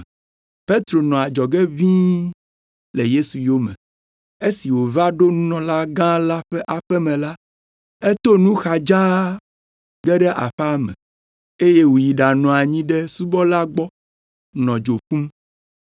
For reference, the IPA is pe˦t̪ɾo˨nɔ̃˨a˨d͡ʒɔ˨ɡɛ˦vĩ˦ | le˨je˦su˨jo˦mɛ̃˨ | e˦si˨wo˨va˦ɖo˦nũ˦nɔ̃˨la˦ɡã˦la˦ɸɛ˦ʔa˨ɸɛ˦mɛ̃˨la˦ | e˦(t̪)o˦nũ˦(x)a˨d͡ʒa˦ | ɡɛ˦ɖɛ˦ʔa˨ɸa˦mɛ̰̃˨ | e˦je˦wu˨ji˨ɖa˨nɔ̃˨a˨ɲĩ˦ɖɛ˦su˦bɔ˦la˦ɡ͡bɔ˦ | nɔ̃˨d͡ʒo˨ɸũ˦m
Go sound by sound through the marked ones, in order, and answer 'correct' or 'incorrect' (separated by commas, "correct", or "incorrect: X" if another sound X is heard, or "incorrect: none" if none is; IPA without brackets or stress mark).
correct, correct